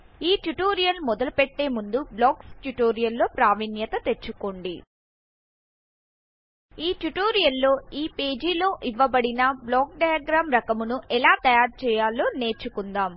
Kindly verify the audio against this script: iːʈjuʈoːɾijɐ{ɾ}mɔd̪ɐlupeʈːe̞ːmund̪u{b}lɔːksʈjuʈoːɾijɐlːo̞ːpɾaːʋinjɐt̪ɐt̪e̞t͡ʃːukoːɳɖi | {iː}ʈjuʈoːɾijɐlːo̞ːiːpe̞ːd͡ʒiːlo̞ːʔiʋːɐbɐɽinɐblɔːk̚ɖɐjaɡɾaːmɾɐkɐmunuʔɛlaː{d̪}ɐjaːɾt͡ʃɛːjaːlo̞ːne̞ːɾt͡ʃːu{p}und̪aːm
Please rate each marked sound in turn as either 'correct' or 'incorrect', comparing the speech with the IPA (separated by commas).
incorrect, correct, correct, incorrect, incorrect